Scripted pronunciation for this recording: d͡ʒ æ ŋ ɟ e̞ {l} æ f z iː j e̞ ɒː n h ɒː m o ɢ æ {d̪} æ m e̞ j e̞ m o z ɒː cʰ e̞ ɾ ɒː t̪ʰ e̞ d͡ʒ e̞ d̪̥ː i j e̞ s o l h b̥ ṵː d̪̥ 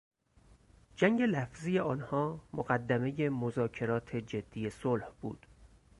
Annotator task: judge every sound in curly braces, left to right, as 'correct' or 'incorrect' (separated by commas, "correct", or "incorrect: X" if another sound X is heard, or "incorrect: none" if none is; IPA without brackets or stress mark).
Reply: correct, incorrect: d̪ː